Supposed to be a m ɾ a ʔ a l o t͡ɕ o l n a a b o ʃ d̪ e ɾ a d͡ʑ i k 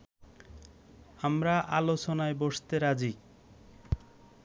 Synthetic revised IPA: a m ɾ a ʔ a l o t͡ɕ o n a e b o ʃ t̪ e ɾ a d͡ʑ i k